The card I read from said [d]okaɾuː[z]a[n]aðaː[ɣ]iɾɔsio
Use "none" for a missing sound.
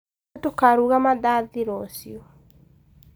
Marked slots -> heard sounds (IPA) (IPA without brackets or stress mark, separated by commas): t, ɣ, m, ð